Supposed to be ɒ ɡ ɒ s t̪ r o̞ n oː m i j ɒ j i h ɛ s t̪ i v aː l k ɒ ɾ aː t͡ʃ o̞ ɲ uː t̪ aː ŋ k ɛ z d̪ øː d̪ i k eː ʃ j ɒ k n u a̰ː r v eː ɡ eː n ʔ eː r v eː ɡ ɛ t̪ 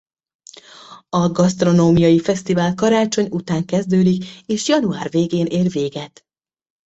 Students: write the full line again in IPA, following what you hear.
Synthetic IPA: ɒ ɡ ɒ s t̪ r o̞ n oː m i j ɒ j i f ɛ s t̪ i v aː l k ɒ ɾ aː t͡ʃ o̞ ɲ u t̪ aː ŋ k ɛ z d̪ øː d̪ i k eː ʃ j ɒ n u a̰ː r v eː ɡ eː n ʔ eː r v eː ɡ ɛ t̪